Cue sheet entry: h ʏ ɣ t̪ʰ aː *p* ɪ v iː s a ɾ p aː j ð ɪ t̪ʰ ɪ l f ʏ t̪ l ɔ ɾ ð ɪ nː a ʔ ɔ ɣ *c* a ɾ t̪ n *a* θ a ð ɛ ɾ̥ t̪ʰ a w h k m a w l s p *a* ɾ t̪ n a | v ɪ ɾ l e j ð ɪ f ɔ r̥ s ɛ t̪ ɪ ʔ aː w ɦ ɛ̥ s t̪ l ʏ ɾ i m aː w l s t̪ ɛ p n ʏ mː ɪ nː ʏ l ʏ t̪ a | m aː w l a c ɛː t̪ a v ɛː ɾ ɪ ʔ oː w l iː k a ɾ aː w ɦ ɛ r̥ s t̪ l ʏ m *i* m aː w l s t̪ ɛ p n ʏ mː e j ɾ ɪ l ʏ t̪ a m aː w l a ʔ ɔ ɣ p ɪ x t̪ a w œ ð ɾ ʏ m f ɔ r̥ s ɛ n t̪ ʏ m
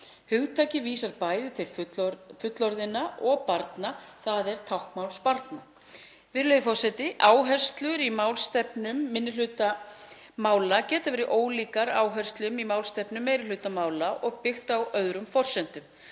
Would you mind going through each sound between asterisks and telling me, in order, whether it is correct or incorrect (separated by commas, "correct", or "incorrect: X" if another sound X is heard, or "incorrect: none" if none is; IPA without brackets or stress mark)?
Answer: incorrect: c, incorrect: p, correct, correct, correct